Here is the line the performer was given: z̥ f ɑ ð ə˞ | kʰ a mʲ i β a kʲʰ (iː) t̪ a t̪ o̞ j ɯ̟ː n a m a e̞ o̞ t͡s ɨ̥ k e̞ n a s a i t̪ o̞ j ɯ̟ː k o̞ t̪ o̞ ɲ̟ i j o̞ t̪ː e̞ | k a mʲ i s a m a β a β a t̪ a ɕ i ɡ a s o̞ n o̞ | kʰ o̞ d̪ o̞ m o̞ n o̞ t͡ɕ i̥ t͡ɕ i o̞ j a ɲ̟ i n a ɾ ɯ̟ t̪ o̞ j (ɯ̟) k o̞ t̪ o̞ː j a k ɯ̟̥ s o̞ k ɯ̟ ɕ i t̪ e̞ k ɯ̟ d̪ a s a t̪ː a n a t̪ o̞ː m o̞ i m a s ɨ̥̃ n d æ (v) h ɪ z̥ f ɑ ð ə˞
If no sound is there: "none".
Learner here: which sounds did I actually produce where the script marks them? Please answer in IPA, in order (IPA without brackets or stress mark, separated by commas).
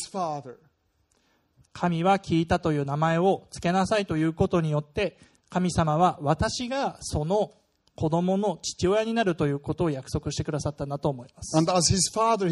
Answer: iː, ɯ̟ː, z